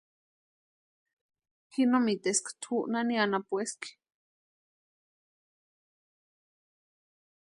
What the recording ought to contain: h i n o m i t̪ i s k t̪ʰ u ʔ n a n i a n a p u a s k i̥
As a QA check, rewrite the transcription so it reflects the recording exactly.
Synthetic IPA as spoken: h i n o m i t̪ e s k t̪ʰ u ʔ n a n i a n a p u e s k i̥